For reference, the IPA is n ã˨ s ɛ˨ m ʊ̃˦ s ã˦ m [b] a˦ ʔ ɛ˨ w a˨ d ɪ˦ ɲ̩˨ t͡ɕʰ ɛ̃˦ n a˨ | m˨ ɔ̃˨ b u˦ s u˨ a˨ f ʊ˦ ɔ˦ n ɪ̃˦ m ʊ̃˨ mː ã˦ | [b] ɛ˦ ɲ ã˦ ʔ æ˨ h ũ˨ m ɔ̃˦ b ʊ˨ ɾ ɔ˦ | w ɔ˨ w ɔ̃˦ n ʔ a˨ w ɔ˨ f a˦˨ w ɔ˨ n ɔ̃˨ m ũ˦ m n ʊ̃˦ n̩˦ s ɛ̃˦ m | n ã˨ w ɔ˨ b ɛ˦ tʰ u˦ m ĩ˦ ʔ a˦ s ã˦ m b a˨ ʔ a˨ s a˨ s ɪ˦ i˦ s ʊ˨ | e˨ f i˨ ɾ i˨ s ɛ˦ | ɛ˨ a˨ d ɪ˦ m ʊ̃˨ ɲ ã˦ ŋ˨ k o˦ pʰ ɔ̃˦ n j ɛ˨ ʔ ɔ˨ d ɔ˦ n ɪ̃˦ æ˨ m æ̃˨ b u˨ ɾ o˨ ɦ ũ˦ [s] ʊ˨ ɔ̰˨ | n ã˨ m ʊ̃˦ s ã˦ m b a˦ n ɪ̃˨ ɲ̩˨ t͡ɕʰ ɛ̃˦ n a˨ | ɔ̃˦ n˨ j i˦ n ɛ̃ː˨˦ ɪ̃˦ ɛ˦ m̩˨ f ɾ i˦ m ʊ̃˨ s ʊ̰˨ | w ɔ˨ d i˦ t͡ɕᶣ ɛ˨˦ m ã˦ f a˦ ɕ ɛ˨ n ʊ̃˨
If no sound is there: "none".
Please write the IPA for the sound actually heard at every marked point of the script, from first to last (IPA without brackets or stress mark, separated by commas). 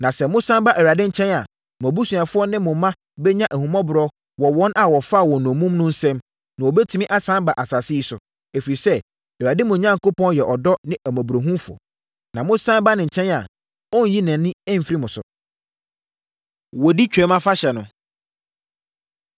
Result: b, b, f